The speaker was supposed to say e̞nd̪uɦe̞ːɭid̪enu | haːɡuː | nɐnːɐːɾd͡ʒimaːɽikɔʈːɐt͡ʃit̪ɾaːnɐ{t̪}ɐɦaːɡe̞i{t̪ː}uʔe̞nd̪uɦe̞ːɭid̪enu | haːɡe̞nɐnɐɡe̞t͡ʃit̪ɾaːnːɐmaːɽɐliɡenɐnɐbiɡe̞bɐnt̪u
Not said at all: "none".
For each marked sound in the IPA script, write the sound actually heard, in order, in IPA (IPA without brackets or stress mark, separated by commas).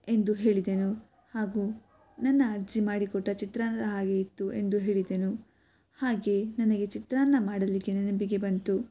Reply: d̪, t̪ː